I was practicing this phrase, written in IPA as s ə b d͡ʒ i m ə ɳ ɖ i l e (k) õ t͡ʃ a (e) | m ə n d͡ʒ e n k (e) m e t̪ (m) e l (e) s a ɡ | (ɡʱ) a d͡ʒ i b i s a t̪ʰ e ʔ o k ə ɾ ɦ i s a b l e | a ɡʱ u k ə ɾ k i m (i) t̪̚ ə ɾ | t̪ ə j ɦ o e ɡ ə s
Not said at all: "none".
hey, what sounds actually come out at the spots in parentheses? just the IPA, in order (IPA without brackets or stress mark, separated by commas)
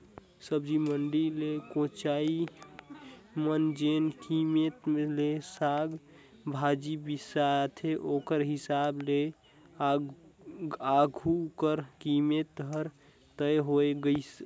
k, i, i, m, e, bʱ, e